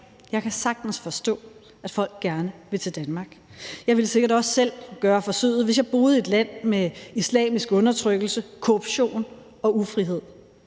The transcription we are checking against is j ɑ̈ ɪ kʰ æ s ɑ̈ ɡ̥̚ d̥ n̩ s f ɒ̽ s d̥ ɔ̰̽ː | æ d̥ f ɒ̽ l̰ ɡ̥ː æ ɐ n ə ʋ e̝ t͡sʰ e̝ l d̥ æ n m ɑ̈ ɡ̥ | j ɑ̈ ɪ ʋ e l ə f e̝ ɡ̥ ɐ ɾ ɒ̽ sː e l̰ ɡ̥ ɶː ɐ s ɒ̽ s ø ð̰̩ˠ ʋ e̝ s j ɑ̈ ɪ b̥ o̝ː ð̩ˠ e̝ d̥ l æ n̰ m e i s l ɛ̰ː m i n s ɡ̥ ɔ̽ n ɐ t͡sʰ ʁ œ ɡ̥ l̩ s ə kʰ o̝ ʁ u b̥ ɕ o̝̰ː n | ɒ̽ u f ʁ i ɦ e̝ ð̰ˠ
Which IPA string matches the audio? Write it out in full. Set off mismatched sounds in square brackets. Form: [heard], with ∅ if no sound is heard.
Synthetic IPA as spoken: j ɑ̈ ɪ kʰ æ s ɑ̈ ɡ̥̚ d̥ n̩ s f ɒ̽ s d̥ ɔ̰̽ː | æ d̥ f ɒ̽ l̰ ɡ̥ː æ ɐ n ə ʋ e̝ t͡sʰ e̝ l d̥ æ n m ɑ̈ ɡ̥ | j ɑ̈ ɪ ʋ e l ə [s] e̝ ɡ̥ ɐ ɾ ɒ̽ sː e l̰ ɡ̥ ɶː ɐ [f] ɒ̽ s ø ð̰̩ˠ ʋ e̝ s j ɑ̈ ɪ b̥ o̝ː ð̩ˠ e̝ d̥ l æ n̰ m e i s l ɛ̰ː m i [∅] s ɡ̥ ɔ̽ n ɐ t͡sʰ ʁ œ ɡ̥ l̩ s ə kʰ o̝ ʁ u b̥ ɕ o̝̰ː n | ɒ̽ u f ʁ i ɦ e̝ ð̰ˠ